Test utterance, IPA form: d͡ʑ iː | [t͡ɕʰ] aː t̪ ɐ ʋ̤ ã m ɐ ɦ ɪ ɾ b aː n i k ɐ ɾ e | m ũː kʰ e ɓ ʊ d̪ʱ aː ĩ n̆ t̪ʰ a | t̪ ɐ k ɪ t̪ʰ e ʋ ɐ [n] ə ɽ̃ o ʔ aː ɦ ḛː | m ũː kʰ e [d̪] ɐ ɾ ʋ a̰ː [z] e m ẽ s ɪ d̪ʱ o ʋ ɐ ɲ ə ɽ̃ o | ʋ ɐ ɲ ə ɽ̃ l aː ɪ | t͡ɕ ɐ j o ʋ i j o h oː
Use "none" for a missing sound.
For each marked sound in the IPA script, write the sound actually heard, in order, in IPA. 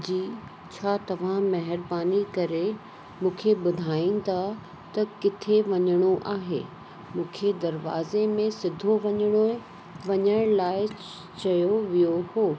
t͡ɕʰ, ɲ, d̪, z

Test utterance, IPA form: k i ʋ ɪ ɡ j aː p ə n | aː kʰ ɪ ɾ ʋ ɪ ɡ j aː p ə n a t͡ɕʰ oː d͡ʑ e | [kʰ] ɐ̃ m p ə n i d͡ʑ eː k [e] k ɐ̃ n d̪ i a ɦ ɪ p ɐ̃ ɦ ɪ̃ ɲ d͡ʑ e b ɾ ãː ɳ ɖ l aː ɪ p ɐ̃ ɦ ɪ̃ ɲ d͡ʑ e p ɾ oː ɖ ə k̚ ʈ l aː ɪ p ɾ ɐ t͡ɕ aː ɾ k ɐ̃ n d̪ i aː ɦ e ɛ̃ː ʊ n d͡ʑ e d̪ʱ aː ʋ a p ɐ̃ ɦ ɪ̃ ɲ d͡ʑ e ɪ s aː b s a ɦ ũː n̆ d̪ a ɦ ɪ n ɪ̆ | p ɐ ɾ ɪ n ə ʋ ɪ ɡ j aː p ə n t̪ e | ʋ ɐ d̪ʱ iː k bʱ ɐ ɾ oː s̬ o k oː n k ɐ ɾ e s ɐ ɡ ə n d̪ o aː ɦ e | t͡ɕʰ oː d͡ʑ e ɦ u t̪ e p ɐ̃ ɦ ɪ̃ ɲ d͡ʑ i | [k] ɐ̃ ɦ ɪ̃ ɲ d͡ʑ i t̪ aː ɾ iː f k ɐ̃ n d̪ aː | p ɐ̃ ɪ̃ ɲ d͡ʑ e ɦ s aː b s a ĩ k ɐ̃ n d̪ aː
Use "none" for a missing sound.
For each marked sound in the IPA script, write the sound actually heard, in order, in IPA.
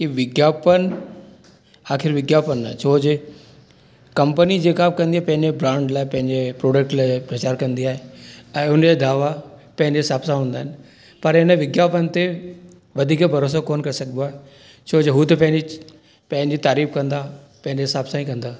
k, a, p

